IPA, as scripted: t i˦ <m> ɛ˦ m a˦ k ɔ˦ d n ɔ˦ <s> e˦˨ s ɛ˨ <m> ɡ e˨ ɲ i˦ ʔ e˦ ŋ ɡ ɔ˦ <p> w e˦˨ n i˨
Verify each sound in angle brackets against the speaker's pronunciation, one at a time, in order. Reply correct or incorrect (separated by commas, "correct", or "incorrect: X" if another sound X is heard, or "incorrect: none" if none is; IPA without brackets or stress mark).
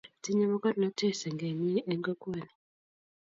incorrect: ɲ, incorrect: t, incorrect: ŋ, incorrect: k